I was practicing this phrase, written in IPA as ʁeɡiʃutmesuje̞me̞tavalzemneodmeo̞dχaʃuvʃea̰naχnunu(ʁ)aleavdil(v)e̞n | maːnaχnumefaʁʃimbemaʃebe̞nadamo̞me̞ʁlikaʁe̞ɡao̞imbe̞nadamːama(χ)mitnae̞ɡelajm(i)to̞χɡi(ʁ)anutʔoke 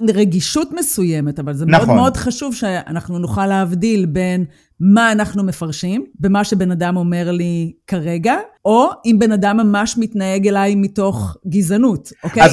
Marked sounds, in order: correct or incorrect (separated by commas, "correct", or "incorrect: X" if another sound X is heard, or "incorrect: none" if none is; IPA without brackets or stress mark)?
incorrect: χ, incorrect: b, incorrect: ʃ, correct, incorrect: z